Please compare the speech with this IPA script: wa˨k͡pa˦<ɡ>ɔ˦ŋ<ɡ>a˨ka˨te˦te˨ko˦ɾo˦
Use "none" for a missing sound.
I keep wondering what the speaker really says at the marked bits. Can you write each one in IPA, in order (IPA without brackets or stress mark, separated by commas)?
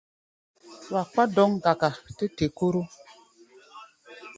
d, ɡ